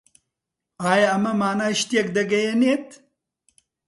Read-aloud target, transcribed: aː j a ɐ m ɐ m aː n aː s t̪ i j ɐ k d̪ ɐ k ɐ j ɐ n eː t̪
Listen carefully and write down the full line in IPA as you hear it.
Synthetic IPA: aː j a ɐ m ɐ m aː n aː ʃ t̪ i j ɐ k d̪ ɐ ɡ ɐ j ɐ n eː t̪